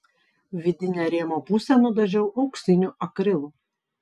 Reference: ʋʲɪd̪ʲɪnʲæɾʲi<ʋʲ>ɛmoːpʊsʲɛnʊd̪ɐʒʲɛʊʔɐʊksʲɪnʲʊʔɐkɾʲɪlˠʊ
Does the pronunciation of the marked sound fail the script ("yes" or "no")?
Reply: yes